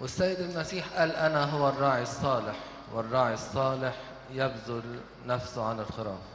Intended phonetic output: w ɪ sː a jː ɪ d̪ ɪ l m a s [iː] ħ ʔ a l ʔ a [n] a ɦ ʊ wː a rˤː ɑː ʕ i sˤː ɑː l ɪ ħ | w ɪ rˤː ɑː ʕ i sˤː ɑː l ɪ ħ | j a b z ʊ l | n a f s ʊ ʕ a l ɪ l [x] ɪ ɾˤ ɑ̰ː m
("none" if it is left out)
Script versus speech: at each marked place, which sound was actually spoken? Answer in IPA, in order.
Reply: iː, n, x

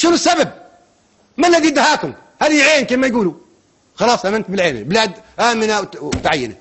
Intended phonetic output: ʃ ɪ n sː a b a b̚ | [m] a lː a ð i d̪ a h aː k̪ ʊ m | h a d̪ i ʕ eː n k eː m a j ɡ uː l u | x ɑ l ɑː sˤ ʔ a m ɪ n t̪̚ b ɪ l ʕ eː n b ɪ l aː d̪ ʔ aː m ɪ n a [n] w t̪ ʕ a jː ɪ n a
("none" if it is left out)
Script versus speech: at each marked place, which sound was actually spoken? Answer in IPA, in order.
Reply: m, none

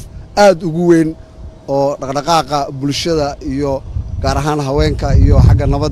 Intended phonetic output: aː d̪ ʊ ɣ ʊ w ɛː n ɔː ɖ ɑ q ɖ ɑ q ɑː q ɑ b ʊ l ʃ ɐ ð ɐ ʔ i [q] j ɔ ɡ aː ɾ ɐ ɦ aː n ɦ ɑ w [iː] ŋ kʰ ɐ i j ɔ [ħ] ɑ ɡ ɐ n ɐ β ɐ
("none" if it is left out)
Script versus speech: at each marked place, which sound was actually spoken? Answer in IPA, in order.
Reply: none, ɛː, ħ

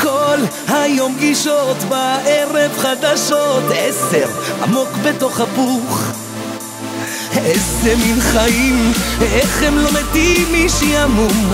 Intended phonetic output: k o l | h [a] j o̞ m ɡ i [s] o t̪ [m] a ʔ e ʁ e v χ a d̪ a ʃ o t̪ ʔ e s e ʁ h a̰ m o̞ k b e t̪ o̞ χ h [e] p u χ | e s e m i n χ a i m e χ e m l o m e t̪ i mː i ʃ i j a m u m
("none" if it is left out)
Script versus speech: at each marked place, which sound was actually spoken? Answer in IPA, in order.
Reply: a, ʃ, b, a

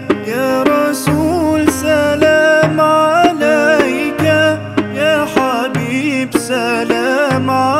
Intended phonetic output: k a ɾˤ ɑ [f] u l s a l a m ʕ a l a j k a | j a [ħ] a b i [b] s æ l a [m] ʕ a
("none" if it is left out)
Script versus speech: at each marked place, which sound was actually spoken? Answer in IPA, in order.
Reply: s, ħ, b, m

